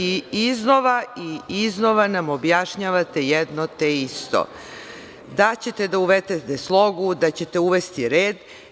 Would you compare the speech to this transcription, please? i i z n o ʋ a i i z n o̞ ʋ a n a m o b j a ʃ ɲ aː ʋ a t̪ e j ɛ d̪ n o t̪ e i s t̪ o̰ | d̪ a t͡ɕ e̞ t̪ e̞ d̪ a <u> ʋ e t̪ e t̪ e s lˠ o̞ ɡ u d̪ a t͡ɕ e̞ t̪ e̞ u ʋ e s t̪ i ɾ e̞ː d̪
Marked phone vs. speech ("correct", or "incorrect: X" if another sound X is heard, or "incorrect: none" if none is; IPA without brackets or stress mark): correct